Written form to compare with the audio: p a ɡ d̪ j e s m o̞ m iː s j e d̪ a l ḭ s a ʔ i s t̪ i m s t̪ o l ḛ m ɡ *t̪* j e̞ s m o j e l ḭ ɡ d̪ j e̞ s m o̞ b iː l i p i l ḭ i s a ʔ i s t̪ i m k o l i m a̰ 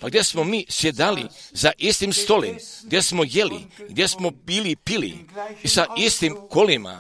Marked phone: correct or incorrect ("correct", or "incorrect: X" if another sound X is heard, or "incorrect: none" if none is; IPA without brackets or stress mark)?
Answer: incorrect: d̪